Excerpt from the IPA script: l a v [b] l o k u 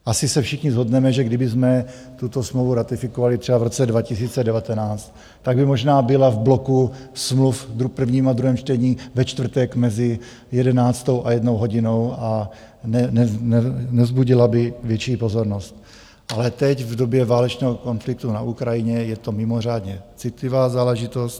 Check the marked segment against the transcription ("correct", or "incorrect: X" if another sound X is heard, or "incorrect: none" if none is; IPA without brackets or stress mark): correct